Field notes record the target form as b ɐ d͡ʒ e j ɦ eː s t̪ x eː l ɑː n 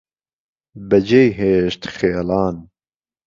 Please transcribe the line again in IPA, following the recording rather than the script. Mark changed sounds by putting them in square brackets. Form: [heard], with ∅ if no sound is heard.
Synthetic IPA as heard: b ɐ d͡ʒ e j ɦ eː [ʃ] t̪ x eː l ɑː n